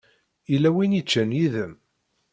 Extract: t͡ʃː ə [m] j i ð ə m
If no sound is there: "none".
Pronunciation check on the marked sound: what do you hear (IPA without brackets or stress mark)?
n